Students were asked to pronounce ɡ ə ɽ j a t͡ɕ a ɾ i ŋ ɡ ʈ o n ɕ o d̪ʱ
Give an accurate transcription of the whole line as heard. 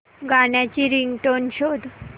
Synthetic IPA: ɡ a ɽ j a t͡ɕ i ɾ i ŋ ɡ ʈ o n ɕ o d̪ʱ